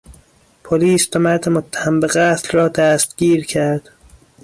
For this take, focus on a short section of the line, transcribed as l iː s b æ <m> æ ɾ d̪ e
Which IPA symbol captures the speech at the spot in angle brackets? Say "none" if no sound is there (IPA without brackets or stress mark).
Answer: m